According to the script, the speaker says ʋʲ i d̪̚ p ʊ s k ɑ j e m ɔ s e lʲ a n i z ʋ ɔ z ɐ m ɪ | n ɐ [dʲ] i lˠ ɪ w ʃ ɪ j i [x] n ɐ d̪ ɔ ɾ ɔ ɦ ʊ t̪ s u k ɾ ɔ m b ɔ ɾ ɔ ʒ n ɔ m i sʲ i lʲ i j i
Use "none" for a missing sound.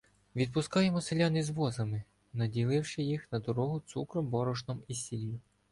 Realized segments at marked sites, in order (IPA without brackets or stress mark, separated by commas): dʲ, x